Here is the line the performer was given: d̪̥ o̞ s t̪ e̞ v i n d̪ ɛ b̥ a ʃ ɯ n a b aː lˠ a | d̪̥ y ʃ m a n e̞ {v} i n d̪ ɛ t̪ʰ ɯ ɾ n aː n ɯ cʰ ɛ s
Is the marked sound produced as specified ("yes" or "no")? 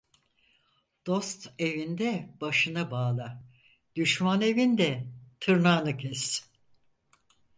yes